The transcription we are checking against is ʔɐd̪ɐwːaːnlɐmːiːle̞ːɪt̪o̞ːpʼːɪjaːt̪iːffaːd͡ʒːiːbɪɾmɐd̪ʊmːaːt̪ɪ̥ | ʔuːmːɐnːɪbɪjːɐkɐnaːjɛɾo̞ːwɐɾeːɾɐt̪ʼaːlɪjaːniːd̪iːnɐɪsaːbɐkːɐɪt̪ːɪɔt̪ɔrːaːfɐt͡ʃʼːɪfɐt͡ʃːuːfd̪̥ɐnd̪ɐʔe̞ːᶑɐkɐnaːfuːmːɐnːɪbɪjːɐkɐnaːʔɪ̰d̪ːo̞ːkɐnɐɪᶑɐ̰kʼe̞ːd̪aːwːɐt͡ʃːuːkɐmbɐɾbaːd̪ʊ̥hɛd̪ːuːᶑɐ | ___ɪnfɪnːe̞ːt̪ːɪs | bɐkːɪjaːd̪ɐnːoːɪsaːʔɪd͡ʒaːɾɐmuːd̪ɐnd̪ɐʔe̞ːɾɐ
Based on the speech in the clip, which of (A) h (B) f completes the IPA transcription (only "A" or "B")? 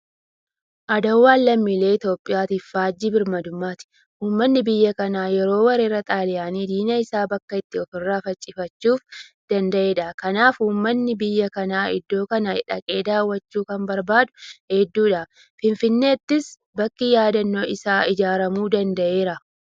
B